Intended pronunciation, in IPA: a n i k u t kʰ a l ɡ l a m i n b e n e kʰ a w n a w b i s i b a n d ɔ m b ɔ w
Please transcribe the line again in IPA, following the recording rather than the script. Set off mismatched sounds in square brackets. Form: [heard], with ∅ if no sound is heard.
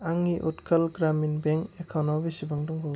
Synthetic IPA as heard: a [ŋ] i [ʔ] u t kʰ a l ɡ [ɾ] a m i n b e [ŋ] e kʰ a w n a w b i s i b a [ŋ] d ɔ [ŋ] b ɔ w